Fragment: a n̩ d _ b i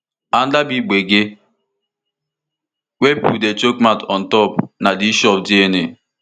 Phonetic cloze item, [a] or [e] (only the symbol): a